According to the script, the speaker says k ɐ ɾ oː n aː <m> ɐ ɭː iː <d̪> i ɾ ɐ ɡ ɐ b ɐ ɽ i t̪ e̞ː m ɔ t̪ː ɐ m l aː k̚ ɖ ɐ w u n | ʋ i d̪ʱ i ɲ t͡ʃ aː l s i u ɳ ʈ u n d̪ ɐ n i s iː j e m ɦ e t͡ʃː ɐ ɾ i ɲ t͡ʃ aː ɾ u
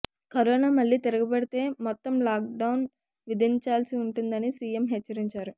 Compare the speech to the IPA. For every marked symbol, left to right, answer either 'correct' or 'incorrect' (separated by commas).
correct, incorrect